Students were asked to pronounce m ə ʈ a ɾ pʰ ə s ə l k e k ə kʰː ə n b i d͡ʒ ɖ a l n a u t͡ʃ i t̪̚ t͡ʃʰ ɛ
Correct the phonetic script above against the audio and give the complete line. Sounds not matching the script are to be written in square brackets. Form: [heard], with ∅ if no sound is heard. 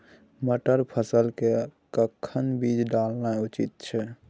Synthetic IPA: m ə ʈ [ə] ɾ pʰ ə s ə l k e k ə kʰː ə n b i d͡ʒ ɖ a l n a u t͡ʃ i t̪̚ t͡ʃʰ ɛ